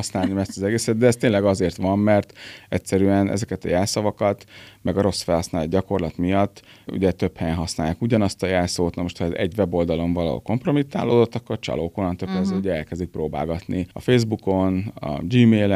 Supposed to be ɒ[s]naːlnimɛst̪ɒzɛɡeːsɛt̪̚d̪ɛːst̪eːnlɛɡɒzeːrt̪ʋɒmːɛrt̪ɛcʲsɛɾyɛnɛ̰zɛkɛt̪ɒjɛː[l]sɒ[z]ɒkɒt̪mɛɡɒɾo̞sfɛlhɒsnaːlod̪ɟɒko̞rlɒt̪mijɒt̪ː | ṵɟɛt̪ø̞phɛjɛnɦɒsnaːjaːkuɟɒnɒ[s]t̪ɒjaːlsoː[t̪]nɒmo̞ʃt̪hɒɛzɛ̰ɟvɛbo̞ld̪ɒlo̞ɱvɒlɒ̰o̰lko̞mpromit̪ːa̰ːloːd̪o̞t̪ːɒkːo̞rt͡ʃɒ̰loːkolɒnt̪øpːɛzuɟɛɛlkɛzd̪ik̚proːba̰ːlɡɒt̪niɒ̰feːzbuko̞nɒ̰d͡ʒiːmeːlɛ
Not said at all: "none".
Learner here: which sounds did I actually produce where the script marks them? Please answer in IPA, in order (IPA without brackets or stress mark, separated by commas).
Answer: s, l, v, s, t̪